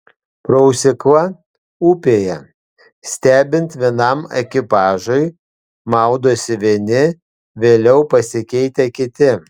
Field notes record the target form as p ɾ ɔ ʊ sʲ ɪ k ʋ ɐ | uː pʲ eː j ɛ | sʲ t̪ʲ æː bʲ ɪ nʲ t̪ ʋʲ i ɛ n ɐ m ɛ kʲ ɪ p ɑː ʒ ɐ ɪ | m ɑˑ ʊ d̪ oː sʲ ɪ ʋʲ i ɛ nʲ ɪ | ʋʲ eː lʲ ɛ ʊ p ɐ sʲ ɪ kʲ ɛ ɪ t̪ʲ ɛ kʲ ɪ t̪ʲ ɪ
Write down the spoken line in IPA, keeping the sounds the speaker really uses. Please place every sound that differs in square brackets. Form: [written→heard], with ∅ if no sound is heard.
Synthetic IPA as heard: p ɾ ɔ ʊ sʲ ɪ k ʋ ɐ | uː pʲ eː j ɛ | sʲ t̪ʲ æː bʲ ɪ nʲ t̪ ʋʲ i ɛ n ɐ m ɛ kʲ ɪ p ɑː ʒ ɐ ɪ | m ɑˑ ʊ d̪ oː sʲ ɪ ʋʲ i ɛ nʲ ɪ | ʋʲ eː lʲ ɛ ʊ p ɐ sʲ ɪ kʲ ɛ ɪ t̪ʲ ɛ kʲ ɪ t̪ʲ ɪ